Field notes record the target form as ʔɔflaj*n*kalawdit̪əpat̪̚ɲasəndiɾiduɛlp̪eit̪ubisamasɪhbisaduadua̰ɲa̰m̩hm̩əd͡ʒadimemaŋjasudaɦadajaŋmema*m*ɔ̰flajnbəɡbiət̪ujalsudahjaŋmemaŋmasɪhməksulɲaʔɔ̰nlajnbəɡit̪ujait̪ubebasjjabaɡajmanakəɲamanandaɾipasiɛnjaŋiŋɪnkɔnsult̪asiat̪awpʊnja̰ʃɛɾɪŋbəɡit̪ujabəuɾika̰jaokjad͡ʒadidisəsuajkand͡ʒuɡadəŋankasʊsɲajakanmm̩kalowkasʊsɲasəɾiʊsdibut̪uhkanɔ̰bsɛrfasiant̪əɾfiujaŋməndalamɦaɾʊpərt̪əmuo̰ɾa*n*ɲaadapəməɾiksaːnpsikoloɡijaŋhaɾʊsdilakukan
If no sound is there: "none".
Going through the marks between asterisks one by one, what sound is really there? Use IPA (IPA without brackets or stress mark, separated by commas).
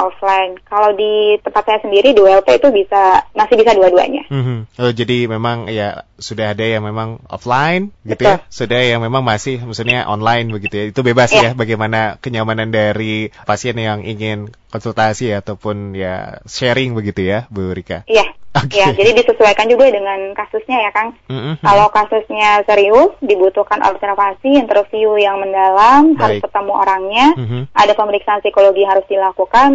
n, ŋ, ŋ